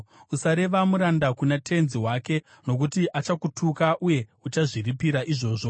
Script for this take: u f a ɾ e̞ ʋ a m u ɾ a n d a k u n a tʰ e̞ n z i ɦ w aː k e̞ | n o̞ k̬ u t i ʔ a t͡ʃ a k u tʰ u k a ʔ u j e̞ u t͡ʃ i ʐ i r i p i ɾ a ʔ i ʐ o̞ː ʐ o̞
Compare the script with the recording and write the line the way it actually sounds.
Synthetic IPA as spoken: u s a ɾ e̞ ʋ a m u ɾ a n d a k u n a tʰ e̞ n z i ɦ w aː k e̞ | n o̞ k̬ u t i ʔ a t͡ʃ a k u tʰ u k a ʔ u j e̞ u t͡ʃ a ʐ i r i p i ɾ a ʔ i ʐ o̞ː ʐ o̞